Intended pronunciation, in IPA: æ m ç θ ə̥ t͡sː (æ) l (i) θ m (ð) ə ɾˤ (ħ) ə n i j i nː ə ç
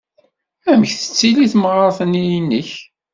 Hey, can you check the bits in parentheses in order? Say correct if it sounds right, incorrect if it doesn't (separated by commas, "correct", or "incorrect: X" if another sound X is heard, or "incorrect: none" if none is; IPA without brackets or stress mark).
incorrect: i, correct, incorrect: ʁ, incorrect: θ